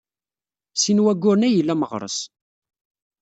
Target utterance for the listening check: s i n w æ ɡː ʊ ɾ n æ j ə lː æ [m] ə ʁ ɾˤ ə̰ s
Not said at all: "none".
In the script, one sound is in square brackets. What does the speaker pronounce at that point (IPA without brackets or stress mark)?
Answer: m